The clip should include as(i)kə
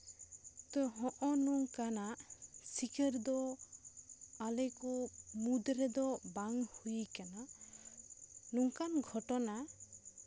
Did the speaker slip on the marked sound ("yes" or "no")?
no